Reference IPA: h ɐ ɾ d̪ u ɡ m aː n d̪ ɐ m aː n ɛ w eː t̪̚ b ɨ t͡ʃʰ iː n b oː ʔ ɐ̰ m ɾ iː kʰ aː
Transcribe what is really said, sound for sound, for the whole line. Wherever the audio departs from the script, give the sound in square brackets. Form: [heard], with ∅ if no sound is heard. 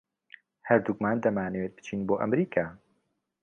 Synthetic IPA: h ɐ ɾ d̪ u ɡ m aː n d̪ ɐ m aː n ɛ w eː t̪̚ b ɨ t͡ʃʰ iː n b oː ʔ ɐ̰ m ɾ iː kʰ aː